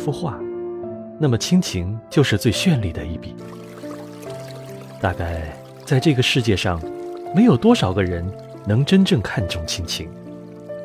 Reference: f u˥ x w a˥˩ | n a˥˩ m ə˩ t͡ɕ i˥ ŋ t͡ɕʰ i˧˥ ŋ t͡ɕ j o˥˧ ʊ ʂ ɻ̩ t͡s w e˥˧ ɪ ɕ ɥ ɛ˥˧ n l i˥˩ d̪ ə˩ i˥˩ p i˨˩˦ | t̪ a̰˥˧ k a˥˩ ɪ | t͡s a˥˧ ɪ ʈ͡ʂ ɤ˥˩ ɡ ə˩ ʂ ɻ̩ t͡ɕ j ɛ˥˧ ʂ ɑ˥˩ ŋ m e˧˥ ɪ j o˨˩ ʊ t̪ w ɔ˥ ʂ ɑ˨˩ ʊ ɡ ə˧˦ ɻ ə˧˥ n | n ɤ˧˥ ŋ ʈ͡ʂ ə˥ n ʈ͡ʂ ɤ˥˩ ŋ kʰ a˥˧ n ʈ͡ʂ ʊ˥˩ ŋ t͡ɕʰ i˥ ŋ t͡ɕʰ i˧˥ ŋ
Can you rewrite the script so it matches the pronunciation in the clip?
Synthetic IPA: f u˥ x w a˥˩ | n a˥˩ m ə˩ t͡ɕʰ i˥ ŋ t͡ɕʰ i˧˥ ŋ t͡ɕ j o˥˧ ʊ ʂ ɻ̩ t͡s w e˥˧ ɪ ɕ ɥ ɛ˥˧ n l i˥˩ d̪ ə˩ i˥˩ p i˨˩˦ | t̪ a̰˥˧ k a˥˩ ɪ | t͡s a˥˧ ɪ ʈ͡ʂ ɤ˥˩ ɡ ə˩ ʂ ɻ̩ t͡ɕ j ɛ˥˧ ʂ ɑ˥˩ ŋ m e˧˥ ɪ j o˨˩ ʊ t̪ w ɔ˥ ʂ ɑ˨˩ ʊ ɡ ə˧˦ ɻ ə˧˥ n | n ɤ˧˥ ŋ ʈ͡ʂ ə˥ n ʈ͡ʂ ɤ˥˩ ŋ kʰ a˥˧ n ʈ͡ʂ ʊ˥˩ ŋ t͡ɕʰ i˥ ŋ t͡ɕʰ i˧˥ ŋ